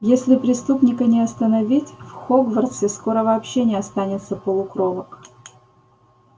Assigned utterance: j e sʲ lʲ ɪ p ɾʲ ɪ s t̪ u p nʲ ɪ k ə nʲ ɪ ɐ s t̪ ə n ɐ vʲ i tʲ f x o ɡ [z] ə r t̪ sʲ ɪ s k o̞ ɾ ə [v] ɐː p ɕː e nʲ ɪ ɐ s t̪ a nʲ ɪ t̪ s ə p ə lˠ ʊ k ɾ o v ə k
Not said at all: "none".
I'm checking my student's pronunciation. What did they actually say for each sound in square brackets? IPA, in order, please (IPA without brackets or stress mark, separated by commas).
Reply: v, v